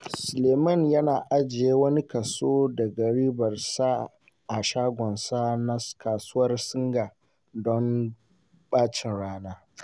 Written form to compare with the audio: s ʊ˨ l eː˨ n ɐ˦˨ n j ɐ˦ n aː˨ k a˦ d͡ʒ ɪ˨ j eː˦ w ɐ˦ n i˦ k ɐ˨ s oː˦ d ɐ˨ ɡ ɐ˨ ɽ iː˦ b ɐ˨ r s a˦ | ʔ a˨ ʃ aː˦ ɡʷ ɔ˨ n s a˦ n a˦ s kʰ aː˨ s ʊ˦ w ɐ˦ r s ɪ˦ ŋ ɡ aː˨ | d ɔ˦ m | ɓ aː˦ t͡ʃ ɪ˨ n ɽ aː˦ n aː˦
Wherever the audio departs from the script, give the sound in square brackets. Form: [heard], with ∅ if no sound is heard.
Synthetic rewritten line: s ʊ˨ l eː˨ [m] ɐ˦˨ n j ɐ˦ n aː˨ [ʔ] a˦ d͡ʒ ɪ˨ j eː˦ w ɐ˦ n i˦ k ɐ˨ s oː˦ d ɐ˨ ɡ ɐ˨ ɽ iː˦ b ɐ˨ r s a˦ | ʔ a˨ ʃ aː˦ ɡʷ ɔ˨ n s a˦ n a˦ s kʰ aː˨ s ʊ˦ w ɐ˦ r s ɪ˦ ŋ ɡ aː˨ | d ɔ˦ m | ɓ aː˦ t͡ʃ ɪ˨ n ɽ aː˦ n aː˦